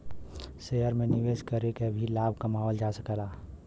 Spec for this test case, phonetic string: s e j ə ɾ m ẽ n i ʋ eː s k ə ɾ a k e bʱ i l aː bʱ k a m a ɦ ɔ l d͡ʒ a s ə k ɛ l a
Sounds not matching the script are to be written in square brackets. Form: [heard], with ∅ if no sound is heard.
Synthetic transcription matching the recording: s e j ə ɾ m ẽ n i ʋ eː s k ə ɾ [e] k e bʱ i l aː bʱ k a m a ɦ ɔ l d͡ʒ a s ə k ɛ l a